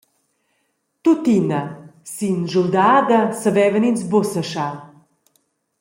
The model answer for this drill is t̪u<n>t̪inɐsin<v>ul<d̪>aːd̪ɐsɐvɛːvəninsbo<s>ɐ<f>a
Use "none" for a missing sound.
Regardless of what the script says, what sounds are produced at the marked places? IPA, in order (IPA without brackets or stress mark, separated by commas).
none, ʒ, d̪, s, ʃ